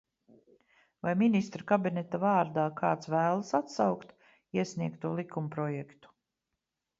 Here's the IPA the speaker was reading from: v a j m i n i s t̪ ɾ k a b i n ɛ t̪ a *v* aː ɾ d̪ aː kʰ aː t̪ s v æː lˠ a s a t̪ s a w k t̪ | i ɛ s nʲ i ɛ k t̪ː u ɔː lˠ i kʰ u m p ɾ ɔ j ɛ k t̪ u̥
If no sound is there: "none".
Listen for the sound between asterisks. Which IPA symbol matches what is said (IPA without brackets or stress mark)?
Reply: v